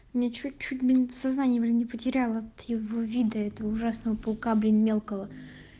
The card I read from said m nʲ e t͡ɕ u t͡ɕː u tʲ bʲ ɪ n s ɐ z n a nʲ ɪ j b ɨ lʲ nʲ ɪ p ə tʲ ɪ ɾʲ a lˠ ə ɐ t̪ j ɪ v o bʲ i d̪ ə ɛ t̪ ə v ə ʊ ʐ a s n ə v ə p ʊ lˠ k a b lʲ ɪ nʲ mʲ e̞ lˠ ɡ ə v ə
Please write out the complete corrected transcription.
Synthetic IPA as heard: m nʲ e t͡ɕ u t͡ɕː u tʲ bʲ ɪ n s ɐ z n a nʲ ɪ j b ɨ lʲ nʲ ɪ p ə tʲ ɪ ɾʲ a lˠ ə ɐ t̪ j ɪ v o vʲ i d̪ ə ɛ t̪ ə v ə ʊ ʐ a s n ə v ə p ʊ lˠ k a b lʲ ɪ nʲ mʲ e̞ lˠ k ə v ə